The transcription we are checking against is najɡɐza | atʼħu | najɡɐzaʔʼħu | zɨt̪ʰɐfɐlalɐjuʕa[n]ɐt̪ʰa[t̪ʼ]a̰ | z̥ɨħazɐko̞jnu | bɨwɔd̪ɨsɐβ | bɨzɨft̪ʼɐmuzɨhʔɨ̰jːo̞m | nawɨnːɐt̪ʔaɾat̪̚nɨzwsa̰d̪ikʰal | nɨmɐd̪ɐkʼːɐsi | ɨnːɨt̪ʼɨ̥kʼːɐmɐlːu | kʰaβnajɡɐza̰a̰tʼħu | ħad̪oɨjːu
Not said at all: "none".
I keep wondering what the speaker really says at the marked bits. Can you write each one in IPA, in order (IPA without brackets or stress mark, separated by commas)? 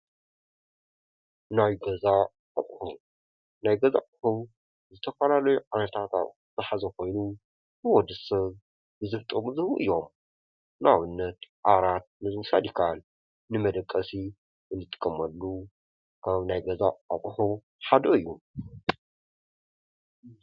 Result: n, t̪